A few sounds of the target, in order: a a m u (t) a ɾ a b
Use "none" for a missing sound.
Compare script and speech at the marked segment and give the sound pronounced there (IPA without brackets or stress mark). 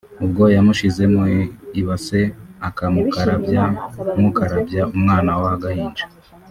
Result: k